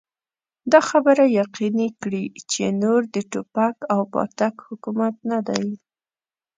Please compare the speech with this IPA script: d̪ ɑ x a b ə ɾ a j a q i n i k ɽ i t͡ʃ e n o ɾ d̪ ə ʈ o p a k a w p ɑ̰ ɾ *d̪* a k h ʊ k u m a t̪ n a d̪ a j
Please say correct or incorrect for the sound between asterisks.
incorrect